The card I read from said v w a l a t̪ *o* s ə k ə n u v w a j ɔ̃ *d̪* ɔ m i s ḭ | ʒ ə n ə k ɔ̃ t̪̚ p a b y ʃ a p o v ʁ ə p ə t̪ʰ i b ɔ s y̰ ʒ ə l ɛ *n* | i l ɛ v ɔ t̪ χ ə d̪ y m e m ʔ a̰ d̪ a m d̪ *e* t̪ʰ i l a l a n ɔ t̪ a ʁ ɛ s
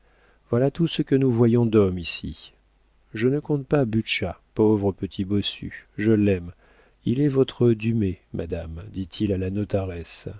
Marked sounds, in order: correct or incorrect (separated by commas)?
incorrect, correct, incorrect, incorrect